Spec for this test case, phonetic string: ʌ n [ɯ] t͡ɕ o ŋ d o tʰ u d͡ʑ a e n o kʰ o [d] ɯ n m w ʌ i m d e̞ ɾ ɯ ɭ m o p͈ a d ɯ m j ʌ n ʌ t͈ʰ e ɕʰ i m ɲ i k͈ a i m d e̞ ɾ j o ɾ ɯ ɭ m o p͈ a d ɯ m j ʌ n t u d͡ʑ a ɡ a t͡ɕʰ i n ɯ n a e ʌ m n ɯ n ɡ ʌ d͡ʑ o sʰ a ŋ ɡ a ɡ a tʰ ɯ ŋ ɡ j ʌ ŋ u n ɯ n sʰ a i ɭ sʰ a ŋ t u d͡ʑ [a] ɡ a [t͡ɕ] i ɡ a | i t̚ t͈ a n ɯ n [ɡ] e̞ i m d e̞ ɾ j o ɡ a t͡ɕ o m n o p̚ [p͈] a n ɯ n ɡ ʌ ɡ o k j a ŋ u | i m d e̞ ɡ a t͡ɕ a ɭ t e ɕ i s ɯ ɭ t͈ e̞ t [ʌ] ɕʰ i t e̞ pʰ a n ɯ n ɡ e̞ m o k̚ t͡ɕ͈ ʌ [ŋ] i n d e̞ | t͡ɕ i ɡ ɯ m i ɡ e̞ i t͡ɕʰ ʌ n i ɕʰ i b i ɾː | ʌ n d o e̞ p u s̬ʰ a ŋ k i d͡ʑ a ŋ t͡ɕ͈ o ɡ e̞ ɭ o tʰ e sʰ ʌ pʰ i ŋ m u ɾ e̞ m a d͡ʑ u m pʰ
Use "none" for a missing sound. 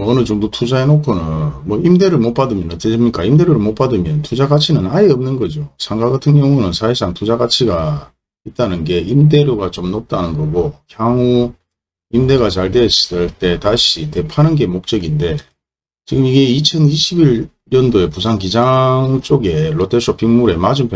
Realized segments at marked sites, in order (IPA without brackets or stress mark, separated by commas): ɯ, n, a, t͡ɕʰ, ɡ, t͈, a, ɡ